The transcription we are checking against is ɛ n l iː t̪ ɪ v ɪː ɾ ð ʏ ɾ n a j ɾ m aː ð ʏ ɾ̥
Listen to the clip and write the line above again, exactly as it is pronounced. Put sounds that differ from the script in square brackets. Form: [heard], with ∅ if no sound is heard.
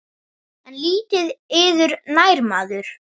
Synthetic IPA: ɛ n l iː t̪ ɪ [ð] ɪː [∅] ð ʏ ɾ n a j ɾ m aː ð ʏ ɾ̥

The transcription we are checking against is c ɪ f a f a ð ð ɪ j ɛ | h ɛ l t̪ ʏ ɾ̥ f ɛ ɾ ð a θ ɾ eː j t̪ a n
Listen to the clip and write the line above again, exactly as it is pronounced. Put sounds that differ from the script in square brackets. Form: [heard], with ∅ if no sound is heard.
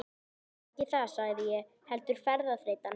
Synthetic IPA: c ɪ [θ] a [s] a [ɣ] ð ɪ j ɛ | h ɛ l t̪ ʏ ɾ̥ f ɛ ɾ ð a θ ɾ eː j t̪ a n

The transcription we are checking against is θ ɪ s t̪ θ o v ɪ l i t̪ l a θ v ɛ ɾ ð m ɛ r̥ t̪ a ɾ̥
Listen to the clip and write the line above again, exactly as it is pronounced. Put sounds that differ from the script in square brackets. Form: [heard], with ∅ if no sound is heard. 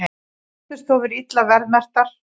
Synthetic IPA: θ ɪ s t̪ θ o v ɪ [ɾ] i t̪ l a [∅] v ɛ ɾ ð m ɛ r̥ t̪ a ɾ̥

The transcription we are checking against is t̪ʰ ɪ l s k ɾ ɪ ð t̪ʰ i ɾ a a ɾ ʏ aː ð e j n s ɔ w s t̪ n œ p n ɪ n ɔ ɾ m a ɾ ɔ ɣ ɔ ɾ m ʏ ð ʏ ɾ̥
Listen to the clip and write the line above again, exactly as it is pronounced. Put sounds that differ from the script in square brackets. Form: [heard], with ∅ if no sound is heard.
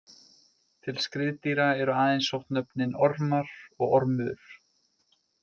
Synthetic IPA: t̪ʰ ɪ l s k ɾ ɪ ð [t̪] i ɾ a [ɛ] ɾ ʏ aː ð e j n s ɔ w [h] t̪ n œ p n ɪ n ɔ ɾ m a ɾ ɔ ɣ ɔ ɾ m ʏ ð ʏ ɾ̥

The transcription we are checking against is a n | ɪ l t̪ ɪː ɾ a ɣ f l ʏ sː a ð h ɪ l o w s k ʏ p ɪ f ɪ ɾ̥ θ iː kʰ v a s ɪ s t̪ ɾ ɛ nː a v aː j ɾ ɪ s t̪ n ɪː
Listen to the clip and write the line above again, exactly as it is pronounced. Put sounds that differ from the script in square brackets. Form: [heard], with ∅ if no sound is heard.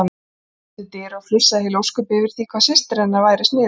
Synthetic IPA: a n | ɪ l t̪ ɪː ɾ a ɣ f l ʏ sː a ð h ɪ l o w s k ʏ p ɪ [v] ɪ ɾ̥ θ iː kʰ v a s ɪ s t̪ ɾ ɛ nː a v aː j ɾ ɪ s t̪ n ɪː

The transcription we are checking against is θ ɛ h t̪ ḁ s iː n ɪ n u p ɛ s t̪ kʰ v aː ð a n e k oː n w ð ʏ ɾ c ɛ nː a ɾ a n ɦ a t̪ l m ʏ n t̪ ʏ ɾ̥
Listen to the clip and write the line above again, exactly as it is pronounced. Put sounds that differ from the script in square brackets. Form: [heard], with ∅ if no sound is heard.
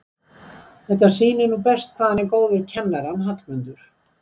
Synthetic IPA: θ ɛ h t̪ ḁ s iː n ɪ n u p ɛ s t̪ kʰ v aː ð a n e k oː [∅] w ð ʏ ɾ [cʰ] ɛ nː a ɾ a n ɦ a t̪ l m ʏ n t̪ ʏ ɾ̥

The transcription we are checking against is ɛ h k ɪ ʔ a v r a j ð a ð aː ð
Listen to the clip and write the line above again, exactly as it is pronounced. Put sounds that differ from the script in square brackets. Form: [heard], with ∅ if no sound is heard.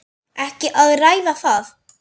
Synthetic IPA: ɛ h [c] ɪ ʔ a [ð] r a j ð a [θ] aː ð

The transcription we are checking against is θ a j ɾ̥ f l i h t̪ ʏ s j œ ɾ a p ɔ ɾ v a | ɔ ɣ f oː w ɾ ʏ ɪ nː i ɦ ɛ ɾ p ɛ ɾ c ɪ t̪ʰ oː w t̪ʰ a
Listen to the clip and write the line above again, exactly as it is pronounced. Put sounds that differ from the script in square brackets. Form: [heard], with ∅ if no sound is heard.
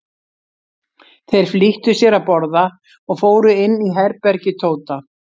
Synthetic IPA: θ [e] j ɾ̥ f l i h t̪ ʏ s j [ɛ] ɾ a p ɔ ɾ [ð] a | ɔ ɣ f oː w ɾ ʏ ɪ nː i ɦ ɛ ɾ p ɛ ɾ c ɪ t̪ʰ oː w [t̪] a

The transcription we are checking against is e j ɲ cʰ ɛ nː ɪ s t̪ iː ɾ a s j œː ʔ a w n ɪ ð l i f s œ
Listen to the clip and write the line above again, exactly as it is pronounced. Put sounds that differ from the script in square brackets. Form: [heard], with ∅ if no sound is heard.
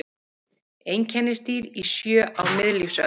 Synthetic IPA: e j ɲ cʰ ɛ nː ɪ s t̪ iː ɾ [i] s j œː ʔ a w [m] ɪ ð l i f s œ

